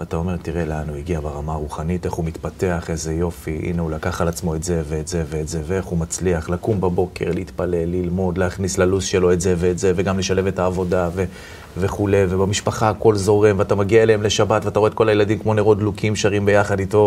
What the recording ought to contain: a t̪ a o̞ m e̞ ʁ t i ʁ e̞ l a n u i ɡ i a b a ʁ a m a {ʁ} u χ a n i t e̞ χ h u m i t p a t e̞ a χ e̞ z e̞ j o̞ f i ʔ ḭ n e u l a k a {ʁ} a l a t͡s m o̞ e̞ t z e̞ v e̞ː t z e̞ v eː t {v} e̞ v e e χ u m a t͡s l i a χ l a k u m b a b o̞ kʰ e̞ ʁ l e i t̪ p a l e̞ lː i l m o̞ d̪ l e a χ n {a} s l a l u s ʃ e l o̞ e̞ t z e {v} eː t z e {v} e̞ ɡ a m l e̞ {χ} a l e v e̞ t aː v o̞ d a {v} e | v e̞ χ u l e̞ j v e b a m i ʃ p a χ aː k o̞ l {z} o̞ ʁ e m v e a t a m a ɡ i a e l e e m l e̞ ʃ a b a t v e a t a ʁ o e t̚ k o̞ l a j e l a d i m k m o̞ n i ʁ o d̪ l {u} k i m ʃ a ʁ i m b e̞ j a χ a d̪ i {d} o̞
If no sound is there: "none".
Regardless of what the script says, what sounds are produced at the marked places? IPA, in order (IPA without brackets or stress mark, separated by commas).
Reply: ʁ, χ, z, i, v, v, ʃ, v, z, u, t